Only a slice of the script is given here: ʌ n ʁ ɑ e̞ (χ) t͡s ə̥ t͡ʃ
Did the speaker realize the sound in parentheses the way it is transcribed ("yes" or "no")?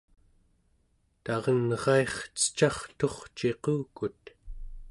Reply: yes